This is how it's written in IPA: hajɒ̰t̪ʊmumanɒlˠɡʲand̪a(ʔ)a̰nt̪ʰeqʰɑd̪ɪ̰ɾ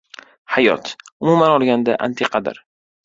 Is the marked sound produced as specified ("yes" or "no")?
yes